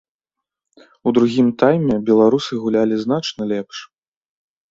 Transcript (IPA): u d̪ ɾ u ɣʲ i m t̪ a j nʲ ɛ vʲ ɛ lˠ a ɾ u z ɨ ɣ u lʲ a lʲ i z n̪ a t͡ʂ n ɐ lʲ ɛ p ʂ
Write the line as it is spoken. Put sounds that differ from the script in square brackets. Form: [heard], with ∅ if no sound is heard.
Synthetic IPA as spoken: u d̪ ɾ u ɣʲ i m t̪ a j [mʲ] ɛ [bʲ] ɛ lˠ a ɾ u [s] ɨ ɣ u lʲ a lʲ i z n̪ a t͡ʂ n ɐ lʲ ɛ p ʂ

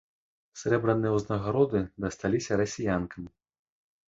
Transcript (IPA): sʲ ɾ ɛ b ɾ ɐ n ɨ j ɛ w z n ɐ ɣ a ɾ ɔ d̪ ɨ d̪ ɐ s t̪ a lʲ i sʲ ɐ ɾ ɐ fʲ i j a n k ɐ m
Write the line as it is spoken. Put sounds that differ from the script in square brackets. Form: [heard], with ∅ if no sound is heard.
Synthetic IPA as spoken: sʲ ɾ ɛ b ɾ ɐ n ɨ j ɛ w z n ɐ ɣ a ɾ ɔ d̪ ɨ d̪ ɐ s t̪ a lʲ i sʲ ɐ ɾ ɐ [sʲ] i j a n k ɐ m

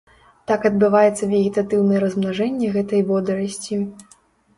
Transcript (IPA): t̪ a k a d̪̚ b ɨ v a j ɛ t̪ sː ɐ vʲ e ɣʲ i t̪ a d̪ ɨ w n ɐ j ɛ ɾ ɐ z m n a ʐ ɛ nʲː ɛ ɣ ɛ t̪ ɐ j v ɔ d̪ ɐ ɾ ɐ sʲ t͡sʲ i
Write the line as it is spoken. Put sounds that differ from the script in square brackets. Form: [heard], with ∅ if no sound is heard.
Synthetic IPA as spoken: t̪ a k [ɐ] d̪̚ b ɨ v a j ɛ t̪ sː ɐ vʲ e ɣʲ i t̪ a [t̪] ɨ w n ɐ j ɛ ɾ ɐ z m n a ʐ ɛ nʲː ɛ ɣ ɛ t̪ ɐ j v ɔ d̪ ɐ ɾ ɐ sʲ t͡sʲ i

